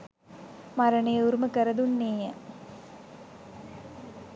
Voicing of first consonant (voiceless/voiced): voiced